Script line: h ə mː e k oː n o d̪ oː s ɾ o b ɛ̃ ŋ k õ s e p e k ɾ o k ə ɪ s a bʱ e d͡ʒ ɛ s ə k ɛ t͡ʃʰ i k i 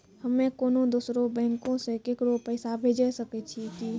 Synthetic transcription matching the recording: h ə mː e k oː n o d̪ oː s ɾ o b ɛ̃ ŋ k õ s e k e k ɾ o p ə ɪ s a bʱ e d͡ʒ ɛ s ə k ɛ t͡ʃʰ i k i